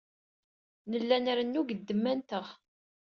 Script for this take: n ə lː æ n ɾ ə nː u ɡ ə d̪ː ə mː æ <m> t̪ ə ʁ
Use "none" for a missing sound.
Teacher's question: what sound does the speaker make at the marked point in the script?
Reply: n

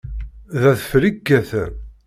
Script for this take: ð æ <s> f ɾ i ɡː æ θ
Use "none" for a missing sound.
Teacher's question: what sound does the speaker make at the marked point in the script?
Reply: θ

